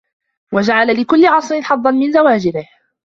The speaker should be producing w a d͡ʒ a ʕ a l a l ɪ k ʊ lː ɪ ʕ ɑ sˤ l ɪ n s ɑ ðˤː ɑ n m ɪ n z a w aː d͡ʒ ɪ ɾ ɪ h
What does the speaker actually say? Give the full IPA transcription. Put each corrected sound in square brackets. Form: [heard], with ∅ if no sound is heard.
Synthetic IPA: w a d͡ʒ a ʕ a l a l ɪ k ʊ lː ɪ ʕ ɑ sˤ [ɾ] ɪ n [ħ] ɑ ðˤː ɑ n m ɪ n z a w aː d͡ʒ ɪ ɾ ɪ h

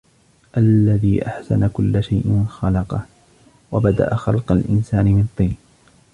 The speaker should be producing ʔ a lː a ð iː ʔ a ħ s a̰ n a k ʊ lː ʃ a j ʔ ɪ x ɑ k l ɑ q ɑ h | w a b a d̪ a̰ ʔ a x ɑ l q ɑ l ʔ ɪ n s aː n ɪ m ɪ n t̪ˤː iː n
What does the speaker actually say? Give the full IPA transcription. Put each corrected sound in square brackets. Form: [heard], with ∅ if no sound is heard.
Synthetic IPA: ʔ a lː a ð iː ʔ a ħ s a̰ n a k ʊ lː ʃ a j ʔ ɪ x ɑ [∅] l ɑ q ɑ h | w a b a d̪ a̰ ʔ a x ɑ l q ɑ l ʔ ɪ n s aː n ɪ m ɪ n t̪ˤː iː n

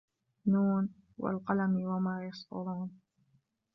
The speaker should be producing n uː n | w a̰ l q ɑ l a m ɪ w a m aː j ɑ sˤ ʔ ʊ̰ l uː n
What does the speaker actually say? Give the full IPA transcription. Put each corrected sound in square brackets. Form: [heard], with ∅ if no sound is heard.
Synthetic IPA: n uː n | w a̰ l q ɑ l a m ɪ w a m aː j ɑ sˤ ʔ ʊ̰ [ɾ] uː n

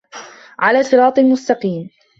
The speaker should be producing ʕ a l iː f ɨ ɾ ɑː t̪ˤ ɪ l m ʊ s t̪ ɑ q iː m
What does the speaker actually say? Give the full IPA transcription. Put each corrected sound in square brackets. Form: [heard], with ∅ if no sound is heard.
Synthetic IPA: ʕ a l [aː] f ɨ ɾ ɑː t̪ˤ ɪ l m ʊ s t̪ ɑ q iː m

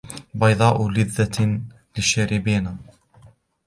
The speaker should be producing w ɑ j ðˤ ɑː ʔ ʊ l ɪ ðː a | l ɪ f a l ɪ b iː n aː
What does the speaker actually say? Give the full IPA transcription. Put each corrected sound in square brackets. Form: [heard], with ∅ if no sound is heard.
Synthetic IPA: [b] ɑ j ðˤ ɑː ʔ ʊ l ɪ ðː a | l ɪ [ʃ] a [ɾ] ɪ b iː n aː

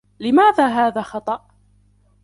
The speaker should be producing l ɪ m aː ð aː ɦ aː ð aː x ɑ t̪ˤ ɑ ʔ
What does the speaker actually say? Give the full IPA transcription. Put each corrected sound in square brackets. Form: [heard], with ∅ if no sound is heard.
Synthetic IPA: l ɪ m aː ð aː ɦ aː ð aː x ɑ t̪ˤ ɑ ʔ

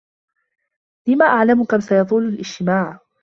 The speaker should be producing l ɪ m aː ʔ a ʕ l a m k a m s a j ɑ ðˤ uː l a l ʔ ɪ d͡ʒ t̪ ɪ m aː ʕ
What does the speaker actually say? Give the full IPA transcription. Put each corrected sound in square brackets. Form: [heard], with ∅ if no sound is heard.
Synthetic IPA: l ɪ m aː ʔ a ʕ l a m k a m s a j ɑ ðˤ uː l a l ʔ ɪ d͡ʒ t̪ ɪ m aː ʕ

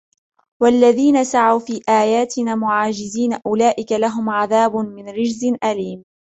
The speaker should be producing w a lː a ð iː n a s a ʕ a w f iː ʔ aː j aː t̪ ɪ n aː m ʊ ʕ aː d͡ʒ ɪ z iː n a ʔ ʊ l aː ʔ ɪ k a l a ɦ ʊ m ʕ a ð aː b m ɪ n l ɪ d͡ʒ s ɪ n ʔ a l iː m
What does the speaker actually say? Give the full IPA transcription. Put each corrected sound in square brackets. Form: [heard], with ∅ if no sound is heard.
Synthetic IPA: w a lː a ð iː n a s a ʕ a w f iː ʔ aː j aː t̪ ɪ n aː m ʊ ʕ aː d͡ʒ ɪ z iː n a ʔ ʊ l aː ʔ ɪ k a l a ɦ ʊ m ʕ a ð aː b m ɪ n [ɾ] ɪ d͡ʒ [z] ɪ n ʔ a l iː m

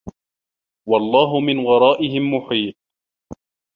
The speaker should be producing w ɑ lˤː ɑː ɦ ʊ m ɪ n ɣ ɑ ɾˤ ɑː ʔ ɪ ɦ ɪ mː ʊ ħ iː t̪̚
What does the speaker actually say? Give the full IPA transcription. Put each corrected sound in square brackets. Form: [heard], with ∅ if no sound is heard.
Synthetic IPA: w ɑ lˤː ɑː ɦ ʊ m ɪ n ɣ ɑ ɾˤ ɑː ʔ ɪ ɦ ɪ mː ʊ ħ iː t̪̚

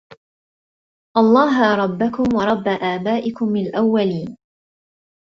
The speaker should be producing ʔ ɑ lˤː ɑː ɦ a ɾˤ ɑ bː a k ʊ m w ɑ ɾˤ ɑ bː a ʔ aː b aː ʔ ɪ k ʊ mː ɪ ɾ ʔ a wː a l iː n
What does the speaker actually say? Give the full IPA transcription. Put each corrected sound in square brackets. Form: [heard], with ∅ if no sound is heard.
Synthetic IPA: ʔ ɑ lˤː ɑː ɦ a ɾˤ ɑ bː a k ʊ m w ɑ ɾˤ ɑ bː a ʔ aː b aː ʔ ɪ k ʊ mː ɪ [l] ʔ a wː a l iː n

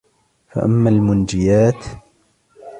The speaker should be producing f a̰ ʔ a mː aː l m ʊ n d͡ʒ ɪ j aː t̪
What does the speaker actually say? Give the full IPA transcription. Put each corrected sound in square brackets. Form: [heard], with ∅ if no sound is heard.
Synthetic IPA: f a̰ ʔ a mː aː l m ʊ n d͡ʒ ɪ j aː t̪

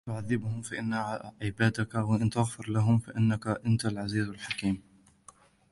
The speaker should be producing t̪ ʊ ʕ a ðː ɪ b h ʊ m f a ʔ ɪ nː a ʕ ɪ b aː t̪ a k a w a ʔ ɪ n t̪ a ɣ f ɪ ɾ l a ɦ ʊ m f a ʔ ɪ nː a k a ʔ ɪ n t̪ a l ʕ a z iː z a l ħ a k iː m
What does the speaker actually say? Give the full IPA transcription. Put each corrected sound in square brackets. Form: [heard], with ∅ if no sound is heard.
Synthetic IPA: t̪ ʊ ʕ a ðː ɪ b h ʊ m f a ʔ ɪ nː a ʕ ɪ b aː [d̪] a k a w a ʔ ɪ n t̪ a ɣ f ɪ ɾ l a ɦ ʊ m f a ʔ ɪ nː a k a ʔ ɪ n t̪ a l ʕ a z iː z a l ħ a k iː m

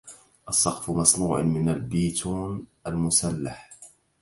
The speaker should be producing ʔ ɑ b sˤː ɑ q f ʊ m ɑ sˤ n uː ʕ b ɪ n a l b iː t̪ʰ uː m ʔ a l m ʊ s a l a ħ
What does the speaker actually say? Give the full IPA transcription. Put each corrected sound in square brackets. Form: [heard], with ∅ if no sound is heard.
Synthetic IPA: ʔ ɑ [∅] sˤː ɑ q f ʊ m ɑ sˤ n uː ʕ [m] ɪ n a l b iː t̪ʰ uː [n] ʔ a l m ʊ s a [lː] a ħ

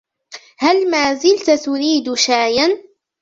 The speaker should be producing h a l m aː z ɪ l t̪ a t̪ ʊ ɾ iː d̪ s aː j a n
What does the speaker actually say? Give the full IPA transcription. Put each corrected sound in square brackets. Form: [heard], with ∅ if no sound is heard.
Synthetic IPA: h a l m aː z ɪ l t̪ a t̪ ʊ ɾ iː d̪ [ʃ] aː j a n

